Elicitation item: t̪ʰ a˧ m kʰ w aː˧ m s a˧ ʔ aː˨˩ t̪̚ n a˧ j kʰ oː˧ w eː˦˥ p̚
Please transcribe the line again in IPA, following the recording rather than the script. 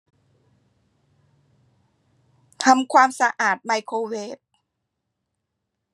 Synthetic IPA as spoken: t̪ʰ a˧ m kʰ w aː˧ m s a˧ ʔ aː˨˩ t̪̚ m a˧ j kʰ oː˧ w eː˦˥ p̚